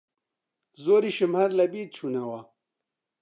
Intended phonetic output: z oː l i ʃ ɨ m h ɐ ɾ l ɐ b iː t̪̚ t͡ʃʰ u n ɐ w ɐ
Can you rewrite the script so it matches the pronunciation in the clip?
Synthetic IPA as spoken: z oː ɾ i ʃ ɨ m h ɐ ɾ l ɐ b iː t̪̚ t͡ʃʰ u n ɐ w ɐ